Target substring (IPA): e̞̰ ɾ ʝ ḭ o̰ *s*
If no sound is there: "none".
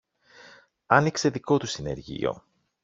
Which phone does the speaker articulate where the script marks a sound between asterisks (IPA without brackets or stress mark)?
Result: none